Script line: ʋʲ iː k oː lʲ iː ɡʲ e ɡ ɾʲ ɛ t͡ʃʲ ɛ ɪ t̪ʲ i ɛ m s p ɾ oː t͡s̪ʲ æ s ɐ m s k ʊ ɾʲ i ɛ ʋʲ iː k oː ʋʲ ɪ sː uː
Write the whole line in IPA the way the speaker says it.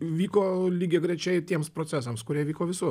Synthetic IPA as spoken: ʋʲ iː k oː lʲ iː ɡʲ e ɡ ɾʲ ɛ t͡ʃʲ ɛ ɪ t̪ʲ i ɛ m s p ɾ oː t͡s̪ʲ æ s ɐ m s k ʊ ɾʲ i ɛ ʋʲ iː k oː ʋʲ ɪ s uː